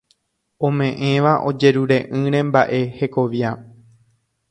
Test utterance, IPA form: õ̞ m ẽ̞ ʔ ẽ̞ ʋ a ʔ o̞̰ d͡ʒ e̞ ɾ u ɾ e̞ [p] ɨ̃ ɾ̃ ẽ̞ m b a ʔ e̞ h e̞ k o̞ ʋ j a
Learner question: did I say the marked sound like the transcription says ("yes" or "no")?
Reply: no